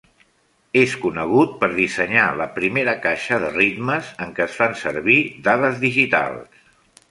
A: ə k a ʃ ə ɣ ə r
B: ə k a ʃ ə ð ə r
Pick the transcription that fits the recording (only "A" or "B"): B